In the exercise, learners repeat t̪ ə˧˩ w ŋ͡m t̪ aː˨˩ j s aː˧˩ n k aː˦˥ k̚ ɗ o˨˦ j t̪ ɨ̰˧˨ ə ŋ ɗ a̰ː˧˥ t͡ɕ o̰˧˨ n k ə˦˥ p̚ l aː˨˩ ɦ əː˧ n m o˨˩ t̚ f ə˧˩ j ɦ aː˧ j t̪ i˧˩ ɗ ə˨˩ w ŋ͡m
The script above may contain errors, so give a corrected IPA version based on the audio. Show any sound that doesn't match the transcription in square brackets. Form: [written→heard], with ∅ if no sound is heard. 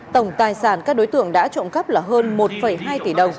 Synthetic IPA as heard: t̪ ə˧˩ w ŋ͡m t̪ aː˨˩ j s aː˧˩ n k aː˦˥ k̚ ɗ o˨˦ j t̪ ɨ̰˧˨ ə ŋ ɗ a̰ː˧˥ t͡ɕ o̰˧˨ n k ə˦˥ p̚ l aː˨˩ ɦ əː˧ n m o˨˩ t̚ f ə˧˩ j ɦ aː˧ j t̪ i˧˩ ɗ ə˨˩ w ŋ͡m